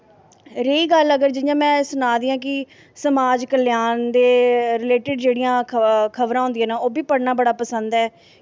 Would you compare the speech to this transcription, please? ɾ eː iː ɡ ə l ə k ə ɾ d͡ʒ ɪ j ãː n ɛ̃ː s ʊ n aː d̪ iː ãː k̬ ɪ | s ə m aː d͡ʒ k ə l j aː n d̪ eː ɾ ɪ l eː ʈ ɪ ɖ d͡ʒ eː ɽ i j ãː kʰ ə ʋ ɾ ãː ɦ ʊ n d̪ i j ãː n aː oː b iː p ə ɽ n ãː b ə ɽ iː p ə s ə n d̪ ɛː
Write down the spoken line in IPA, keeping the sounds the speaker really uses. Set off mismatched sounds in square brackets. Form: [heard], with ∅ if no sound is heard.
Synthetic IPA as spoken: ɾ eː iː ɡ ə l ə [ɡ] ə ɾ d͡ʒ ɪ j ãː [m] ɛ̃ː s ʊ n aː d̪ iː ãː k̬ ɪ | s ə m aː d͡ʒ k ə l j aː n d̪ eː ɾ ɪ l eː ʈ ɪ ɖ d͡ʒ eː ɽ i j ãː kʰ ə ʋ ɾ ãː ɦ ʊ n d̪ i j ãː n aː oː b iː p ə ɽ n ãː b ə ɽ [aː] p ə s ə n d̪ ɛː